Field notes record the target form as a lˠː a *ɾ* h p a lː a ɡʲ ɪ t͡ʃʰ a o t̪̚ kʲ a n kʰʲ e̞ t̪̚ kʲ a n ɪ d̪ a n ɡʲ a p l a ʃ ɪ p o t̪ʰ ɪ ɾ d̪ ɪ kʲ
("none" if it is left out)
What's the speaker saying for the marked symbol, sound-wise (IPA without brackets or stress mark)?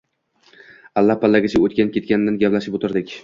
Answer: none